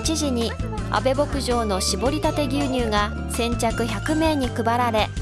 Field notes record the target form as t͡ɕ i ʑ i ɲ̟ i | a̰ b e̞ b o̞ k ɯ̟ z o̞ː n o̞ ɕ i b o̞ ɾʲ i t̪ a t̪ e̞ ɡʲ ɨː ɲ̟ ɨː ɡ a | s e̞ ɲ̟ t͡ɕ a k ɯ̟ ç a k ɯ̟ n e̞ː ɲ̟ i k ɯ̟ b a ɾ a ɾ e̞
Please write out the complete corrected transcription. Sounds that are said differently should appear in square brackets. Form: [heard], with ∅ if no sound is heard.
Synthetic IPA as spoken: t͡ɕ i ʑ i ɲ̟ i | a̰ b e̞ b o̞ k ɯ̟ [ʑ] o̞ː n o̞ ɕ i b o̞ ɾʲ i t̪ a t̪ e̞ ɡʲ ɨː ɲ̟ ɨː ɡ a | s [ẽ̞] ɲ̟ t͡ɕ a k ɯ̟ ç a k ɯ̟ [m] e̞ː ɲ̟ i k ɯ̟ b a ɾ a ɾ e̞